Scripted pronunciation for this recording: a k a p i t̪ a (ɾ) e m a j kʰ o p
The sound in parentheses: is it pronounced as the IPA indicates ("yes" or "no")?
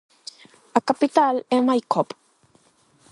no